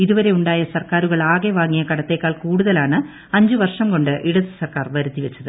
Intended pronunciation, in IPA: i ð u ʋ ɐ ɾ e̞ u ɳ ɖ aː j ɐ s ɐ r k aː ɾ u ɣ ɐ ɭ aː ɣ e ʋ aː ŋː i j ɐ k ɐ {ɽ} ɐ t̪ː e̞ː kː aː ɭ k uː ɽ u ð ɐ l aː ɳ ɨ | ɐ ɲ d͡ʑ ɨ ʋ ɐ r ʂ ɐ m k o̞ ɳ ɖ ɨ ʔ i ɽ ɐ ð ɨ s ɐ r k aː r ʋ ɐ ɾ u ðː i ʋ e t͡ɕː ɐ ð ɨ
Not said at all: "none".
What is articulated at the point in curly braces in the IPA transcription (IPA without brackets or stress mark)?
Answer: ɽ